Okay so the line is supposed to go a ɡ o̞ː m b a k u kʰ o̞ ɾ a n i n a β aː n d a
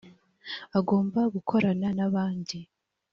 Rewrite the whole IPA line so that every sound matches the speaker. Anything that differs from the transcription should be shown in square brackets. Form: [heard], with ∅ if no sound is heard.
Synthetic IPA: a ɡ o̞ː m b a [ɡ] u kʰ o̞ ɾ a n [a] n a β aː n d [i]